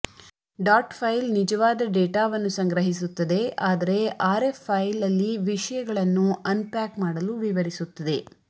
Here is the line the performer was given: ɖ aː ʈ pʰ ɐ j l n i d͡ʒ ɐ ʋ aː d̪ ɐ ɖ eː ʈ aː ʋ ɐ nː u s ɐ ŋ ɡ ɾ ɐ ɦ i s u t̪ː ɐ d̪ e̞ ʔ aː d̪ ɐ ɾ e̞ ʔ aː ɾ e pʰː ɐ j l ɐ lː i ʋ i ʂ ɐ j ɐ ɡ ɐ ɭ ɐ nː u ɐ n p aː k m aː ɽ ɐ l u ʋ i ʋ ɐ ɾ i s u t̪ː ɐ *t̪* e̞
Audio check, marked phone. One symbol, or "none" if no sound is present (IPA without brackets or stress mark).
d̪